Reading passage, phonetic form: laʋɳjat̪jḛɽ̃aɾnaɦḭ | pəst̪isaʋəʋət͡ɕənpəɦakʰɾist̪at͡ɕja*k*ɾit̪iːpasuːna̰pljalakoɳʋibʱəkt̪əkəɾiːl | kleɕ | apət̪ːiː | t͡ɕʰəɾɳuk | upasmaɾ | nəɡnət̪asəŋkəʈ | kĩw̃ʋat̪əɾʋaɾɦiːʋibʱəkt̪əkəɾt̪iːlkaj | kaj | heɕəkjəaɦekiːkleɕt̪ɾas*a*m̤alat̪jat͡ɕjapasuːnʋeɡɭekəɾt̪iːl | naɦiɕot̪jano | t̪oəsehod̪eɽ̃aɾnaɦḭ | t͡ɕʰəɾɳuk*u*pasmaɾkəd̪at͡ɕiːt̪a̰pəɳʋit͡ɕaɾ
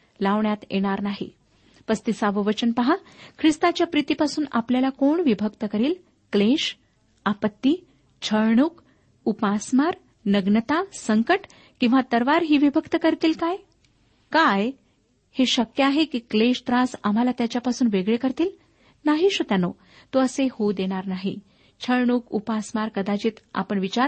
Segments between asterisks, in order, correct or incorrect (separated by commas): incorrect, correct, correct